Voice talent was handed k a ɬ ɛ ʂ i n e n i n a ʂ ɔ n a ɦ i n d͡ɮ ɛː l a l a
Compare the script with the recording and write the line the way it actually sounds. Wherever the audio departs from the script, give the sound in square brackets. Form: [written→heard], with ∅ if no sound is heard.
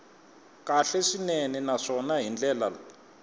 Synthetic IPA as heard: k a ɬ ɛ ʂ i n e n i n a ʂ ɔ n a ɦ i n d͡ɮ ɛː l a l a